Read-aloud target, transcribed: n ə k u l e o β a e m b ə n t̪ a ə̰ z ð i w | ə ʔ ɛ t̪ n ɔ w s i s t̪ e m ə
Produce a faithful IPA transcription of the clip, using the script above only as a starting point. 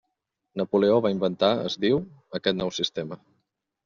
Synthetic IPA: n ə p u l e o β a i m b ə n t̪ a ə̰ z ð i w | ə k ɛ t̪ n ɔ w s i s t̪ e m ə